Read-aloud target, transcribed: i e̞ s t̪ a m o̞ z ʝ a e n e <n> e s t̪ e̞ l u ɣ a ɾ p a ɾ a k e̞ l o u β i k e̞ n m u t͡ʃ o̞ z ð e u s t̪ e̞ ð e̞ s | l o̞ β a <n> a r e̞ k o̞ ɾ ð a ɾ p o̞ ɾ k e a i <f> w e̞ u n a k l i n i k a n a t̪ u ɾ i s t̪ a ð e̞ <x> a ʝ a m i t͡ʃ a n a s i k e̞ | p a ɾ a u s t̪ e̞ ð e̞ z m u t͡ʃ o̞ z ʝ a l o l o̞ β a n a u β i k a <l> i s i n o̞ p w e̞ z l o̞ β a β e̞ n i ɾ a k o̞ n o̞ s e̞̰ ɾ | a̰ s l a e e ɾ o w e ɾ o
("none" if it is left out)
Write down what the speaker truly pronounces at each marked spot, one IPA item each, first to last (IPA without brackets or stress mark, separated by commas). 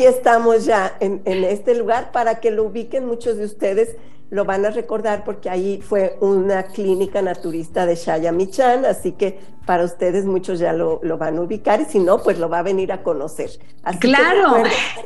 n, n, f, ʃ, ɾ